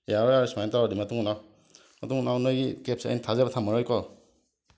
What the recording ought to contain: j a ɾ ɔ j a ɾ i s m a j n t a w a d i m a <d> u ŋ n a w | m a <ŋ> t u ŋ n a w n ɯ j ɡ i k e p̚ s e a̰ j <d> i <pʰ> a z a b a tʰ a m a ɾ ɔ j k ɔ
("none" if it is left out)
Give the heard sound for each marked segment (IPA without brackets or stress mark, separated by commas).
t, none, n, tʰ